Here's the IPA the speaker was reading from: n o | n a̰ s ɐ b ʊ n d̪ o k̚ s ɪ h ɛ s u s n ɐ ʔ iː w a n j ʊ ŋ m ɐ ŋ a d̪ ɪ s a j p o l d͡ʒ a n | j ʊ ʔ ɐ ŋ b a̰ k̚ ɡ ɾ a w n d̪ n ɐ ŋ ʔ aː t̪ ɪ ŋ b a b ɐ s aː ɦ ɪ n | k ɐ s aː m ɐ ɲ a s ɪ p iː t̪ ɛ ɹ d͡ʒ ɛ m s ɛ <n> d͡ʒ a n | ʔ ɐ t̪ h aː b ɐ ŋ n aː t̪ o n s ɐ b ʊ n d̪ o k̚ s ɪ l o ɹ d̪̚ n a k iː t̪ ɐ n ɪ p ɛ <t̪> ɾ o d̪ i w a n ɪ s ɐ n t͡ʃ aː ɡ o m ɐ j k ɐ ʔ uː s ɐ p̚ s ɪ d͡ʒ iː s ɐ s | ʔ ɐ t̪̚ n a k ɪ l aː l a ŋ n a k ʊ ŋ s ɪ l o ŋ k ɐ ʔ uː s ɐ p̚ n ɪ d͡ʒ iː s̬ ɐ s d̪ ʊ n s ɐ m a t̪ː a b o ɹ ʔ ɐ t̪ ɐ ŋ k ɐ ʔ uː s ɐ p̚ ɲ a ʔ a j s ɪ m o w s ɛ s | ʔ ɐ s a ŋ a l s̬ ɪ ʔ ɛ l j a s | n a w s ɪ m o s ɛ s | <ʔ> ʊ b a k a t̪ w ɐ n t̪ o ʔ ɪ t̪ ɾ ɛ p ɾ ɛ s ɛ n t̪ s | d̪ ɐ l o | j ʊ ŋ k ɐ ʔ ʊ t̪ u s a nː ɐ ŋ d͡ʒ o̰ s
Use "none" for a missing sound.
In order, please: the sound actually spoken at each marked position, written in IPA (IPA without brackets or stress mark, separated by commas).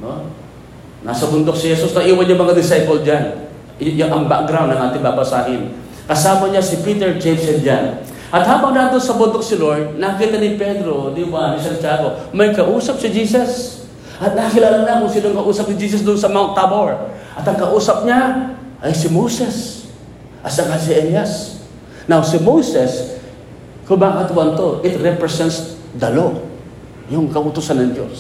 n, d̪, k